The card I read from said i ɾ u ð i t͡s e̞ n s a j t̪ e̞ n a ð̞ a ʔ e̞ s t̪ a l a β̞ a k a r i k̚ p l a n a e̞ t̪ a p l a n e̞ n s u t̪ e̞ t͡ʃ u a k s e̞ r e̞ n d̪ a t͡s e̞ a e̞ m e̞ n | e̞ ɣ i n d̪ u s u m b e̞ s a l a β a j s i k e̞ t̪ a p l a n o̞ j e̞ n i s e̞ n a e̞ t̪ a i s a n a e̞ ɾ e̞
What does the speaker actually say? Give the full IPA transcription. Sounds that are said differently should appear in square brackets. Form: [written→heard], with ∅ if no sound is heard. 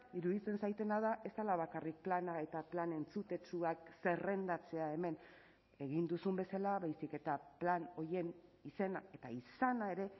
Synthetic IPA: i ɾ u ð i t͡s e̞ n s a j t̪ e̞ n a ð̞ a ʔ e̞ s t̪ a l a β̞ a k a r i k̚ p l a n a e̞ t̪ a p l a n e̞ n [s→t͡s] u t̪ e̞ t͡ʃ u a k s e̞ r e̞ n d̪ a t͡s e̞ a e̞ m e̞ n | e̞ ɣ i n d̪ u s u m b e̞ s a l a β a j s i k e̞ t̪ a p l a n o̞ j e̞ n i s e̞ n a e̞ t̪ a i s a n a e̞ ɾ e̞

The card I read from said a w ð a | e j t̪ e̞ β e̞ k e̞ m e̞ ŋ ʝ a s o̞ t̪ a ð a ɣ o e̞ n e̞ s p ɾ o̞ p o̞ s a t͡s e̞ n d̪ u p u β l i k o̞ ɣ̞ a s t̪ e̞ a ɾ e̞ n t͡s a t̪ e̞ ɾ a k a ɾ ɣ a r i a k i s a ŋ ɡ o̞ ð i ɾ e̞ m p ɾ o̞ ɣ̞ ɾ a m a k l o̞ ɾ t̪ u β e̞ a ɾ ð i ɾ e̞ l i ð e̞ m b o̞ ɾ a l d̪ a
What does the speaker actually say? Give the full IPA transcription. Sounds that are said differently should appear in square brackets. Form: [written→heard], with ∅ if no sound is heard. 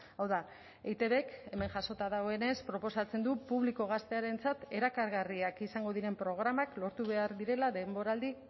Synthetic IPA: a w ð a | e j t̪ e̞ β e̞ k e̞ m e̞ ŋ ʝ a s o̞ t̪ a ð a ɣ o e̞ n e̞ s p ɾ o̞ p o̞ s a t͡s e̞ n d̪ u p u β l i k o̞ ɣ̞ a s t̪ e̞ a ɾ e̞ n t͡s a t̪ e̞ ɾ a k a ɾ ɣ a r i a k i s a ŋ ɡ o̞ ð i ɾ e̞ m p ɾ o̞ ɣ̞ ɾ a m a k l o̞ ɾ t̪ u β e̞ a ɾ ð i ɾ e̞ l [i→a] ð e̞ m b o̞ ɾ a l d̪ [a→i]

